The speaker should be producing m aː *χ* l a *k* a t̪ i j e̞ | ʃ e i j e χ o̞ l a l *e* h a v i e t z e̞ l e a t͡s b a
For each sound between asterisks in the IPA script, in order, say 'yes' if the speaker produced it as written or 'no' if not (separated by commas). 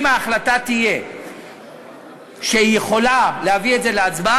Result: yes, no, yes